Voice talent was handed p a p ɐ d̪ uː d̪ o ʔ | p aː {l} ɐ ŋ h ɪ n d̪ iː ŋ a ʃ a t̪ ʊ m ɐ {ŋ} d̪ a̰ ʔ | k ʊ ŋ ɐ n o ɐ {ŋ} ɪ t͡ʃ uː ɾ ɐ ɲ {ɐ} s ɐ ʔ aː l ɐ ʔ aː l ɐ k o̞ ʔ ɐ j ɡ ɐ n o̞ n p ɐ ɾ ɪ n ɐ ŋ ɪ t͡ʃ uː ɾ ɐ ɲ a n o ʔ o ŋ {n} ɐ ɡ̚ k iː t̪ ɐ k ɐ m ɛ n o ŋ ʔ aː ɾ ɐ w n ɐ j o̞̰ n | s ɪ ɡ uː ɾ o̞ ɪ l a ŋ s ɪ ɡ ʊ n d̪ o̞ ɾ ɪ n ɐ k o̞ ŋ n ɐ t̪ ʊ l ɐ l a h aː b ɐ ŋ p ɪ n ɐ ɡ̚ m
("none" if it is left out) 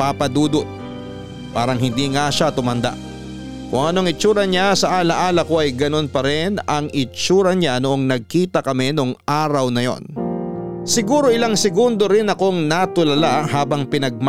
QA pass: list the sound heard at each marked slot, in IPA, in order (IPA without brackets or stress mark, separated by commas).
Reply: ɾ, n, ŋ, a, n